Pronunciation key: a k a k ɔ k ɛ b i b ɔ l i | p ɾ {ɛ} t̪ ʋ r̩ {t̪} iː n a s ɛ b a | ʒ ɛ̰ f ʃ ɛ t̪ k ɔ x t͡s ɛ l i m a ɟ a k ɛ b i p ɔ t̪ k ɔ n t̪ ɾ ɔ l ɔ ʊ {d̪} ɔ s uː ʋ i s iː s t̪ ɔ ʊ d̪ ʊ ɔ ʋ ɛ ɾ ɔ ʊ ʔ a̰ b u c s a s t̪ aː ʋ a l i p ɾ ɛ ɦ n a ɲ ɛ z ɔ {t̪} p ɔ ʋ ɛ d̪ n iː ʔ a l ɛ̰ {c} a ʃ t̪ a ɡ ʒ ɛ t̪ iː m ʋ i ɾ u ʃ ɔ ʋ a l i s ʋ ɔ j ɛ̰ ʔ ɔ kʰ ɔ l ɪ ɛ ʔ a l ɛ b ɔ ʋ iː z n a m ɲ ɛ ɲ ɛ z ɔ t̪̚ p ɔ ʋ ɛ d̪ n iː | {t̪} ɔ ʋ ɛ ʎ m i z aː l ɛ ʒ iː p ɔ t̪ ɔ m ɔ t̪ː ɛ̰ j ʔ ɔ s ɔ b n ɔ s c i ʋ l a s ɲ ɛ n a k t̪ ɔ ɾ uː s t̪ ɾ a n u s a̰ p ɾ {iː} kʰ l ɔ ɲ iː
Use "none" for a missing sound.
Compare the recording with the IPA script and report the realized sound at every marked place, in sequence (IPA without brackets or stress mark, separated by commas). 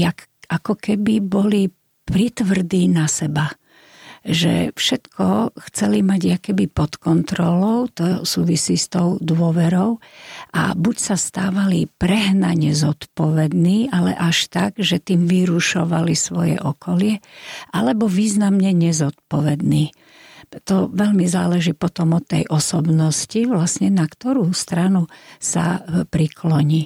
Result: i, d̪, t̪, t̪, ʔ, t̪, i